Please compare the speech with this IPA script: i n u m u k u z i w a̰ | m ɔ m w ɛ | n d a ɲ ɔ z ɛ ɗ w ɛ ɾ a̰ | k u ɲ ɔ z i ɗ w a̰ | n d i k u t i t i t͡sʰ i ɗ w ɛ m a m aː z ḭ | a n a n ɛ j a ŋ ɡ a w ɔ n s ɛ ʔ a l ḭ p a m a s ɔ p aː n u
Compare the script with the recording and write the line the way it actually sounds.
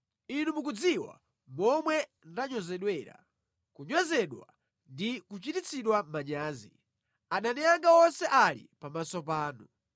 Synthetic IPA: i n u m u k u d͡z i w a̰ | m ɔ m w ɛ | n d a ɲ ɔ z ɛ ɗ w ɛ ɾ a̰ | k u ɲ ɔ z ɛ ɗ w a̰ | n d i k u t͡ʃ i t i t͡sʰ i ɗ w a m a ɲ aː z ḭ | a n a n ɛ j a ŋ ɡ a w ɔ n s ɛ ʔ a l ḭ p a m a s ɔ p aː n u